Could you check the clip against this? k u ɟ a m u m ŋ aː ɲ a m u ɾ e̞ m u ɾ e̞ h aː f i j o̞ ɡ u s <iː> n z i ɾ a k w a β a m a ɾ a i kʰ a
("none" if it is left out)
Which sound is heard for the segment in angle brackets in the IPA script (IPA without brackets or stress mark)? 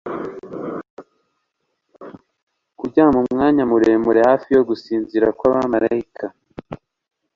iː